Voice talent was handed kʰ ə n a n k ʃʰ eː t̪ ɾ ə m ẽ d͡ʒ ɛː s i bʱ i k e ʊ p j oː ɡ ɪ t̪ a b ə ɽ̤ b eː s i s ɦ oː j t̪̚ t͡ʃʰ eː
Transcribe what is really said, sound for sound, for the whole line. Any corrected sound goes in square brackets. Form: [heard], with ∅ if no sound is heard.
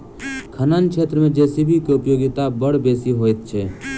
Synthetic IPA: kʰ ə n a n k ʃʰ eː t̪ ɾ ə m ẽ d͡ʒ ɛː s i bʱ i k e ʊ p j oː ɡ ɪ t̪ a b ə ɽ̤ b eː s i [∅] ɦ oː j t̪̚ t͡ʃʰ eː